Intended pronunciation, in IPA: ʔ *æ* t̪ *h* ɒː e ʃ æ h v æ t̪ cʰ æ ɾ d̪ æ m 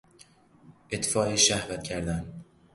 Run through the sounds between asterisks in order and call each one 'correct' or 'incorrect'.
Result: incorrect: e, incorrect: f

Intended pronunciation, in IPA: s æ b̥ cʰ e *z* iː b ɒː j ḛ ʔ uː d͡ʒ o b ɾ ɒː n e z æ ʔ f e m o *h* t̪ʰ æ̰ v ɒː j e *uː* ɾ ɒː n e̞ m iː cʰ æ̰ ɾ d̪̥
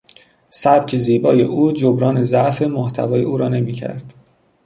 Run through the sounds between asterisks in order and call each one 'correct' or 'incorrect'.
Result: correct, correct, correct

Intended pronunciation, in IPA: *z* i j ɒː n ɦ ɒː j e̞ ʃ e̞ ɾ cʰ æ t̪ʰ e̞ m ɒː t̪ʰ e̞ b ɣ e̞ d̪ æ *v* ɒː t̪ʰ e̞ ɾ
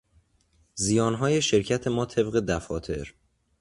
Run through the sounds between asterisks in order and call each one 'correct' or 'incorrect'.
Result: correct, incorrect: f

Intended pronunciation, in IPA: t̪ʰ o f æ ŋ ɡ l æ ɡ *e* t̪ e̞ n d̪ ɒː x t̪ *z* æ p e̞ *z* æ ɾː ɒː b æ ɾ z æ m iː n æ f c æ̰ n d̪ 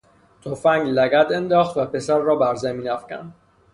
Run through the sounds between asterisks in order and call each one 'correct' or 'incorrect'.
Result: incorrect: æ, incorrect: v, incorrect: s

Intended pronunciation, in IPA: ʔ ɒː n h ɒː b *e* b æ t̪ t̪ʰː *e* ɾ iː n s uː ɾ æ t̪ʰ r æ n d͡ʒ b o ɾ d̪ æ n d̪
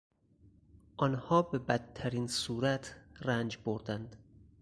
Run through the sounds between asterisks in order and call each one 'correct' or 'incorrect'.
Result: correct, incorrect: æ

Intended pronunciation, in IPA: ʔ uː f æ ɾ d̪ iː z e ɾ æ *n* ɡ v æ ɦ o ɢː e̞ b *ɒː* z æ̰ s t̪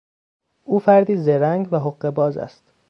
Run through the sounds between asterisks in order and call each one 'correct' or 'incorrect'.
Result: incorrect: ŋ, correct

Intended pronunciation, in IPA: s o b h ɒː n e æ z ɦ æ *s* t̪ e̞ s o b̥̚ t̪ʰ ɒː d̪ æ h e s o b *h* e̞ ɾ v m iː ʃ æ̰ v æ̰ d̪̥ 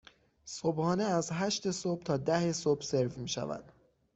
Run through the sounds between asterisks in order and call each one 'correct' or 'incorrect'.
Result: incorrect: ʃ, incorrect: s

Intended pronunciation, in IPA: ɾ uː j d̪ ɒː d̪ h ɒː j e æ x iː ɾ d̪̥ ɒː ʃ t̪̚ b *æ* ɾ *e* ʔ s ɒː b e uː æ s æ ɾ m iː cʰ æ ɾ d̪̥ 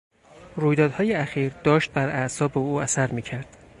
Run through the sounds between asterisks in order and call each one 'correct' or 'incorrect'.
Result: correct, incorrect: æ

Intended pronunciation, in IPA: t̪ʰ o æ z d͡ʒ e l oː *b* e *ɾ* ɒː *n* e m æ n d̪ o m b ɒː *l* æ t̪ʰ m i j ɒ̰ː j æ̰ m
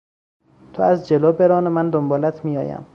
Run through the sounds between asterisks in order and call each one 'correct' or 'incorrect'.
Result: correct, correct, correct, correct

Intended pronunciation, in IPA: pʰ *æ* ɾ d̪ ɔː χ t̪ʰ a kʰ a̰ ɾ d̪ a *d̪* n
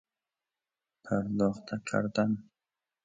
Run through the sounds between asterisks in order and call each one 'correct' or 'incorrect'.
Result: incorrect: a, incorrect: none

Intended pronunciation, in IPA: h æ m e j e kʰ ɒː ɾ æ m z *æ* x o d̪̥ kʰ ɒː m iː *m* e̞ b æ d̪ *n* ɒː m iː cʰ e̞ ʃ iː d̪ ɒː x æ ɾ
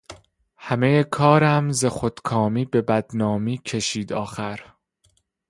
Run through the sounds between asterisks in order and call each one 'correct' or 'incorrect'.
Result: incorrect: e, incorrect: b, correct

